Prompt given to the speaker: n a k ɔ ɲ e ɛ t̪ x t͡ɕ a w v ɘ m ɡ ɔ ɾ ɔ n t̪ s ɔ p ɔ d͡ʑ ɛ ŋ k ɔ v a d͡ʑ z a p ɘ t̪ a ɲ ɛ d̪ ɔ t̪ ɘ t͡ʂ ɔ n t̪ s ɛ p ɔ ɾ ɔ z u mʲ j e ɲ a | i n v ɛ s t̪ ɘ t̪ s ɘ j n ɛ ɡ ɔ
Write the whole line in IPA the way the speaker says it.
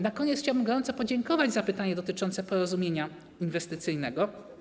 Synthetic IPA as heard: n a k ɔ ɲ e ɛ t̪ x t͡ɕ a w b ɘ m ɡ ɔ ɾ ɔ n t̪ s ɔ p ɔ d͡ʑ ɛ ŋ k ɔ v a d͡ʑ z a p ɘ t̪ a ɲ ɛ d̪ ɔ t̪ ɘ t͡ʂ ɔ n t̪ s ɛ p ɔ ɾ ɔ z u mʲ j e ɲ a | i n v ɛ s t̪ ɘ t̪ s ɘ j n ɛ ɡ ɔ